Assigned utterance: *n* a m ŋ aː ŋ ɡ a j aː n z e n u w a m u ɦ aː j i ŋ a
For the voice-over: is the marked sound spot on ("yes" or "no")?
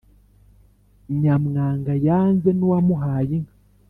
no